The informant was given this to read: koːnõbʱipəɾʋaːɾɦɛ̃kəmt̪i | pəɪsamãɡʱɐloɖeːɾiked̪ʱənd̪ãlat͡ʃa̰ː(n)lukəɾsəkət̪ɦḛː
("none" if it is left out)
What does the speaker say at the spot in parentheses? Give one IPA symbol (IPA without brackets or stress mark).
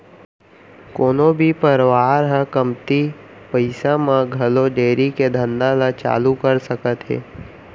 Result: none